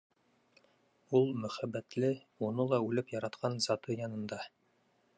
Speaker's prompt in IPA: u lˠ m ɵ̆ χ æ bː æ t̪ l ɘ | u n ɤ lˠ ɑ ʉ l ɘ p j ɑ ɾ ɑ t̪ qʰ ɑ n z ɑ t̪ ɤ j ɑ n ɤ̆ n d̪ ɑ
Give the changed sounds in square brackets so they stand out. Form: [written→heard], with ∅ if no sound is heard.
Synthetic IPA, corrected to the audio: u lˠ m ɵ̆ χ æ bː æ t̪ l ɘ | u n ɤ lˠ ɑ ʉ l ɘ p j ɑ ɾ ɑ t̪ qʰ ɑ n z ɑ t̪ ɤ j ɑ n ɤ̆ n d̪ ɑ